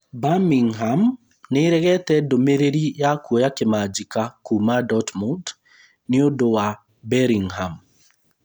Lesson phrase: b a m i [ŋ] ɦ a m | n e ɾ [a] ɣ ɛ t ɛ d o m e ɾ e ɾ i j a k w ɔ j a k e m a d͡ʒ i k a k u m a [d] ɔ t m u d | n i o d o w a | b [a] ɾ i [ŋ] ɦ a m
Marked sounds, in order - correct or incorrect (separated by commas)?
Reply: correct, incorrect, correct, incorrect, correct